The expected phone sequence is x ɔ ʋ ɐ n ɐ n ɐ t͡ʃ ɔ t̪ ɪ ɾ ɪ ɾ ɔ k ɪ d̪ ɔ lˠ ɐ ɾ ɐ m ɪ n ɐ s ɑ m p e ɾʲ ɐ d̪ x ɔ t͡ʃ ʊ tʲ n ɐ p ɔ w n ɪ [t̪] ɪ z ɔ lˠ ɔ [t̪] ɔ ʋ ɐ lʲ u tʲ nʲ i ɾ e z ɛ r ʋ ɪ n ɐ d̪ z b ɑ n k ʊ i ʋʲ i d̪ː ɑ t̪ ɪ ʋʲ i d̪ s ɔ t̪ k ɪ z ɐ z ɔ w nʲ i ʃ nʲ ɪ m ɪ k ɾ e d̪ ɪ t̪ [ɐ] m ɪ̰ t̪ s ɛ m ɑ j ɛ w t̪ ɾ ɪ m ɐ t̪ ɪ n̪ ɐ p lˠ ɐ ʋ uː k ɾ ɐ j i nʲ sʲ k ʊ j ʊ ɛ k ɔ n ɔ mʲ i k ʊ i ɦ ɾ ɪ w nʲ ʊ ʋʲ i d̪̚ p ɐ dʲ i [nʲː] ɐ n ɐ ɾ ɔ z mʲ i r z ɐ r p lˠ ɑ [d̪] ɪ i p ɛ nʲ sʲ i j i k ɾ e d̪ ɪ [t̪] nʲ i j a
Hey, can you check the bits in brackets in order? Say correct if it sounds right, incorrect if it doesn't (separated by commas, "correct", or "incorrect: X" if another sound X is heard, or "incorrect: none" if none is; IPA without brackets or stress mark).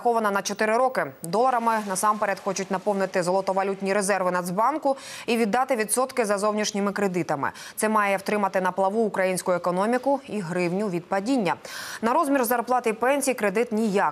correct, correct, correct, correct, incorrect: t̪, correct